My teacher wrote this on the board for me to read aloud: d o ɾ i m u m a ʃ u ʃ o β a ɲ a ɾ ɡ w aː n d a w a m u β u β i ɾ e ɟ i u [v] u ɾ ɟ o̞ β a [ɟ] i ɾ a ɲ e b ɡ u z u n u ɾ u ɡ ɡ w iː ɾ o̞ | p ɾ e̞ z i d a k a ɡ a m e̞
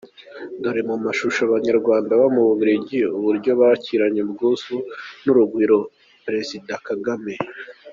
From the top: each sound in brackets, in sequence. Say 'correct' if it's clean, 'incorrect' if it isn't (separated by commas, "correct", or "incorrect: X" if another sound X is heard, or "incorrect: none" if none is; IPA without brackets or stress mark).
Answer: incorrect: β, incorrect: c